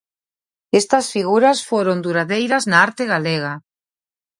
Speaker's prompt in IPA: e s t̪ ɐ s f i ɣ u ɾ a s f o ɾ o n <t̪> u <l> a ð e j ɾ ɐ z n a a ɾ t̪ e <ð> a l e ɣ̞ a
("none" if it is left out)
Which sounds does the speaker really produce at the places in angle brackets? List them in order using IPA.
d̪, ɾ, ɣ

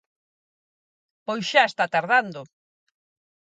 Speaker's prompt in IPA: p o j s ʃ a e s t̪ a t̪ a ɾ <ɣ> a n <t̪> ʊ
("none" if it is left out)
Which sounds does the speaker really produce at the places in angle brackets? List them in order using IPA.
ð, d̪

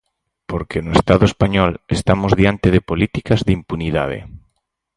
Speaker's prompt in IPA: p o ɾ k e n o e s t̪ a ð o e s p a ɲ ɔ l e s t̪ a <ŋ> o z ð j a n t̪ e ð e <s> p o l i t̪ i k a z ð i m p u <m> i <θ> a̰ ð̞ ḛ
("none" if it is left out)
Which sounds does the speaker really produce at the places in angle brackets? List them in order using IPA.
m, none, n, ð

